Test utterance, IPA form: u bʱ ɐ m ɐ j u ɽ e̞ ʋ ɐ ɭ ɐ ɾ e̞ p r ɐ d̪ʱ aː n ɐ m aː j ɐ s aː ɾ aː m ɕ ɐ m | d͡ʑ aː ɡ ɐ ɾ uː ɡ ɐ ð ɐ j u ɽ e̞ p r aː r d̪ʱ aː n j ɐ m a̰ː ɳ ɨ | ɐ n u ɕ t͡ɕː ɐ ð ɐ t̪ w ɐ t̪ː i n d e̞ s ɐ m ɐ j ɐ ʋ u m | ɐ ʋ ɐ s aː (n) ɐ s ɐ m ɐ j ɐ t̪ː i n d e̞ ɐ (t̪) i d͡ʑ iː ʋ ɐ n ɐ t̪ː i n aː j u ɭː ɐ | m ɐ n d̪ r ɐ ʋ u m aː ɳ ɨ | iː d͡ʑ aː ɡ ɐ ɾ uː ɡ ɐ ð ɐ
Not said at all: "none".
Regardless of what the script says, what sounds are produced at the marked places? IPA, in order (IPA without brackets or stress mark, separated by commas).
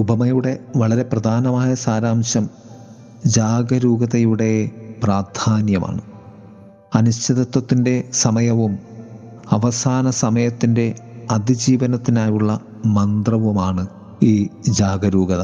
n, d̪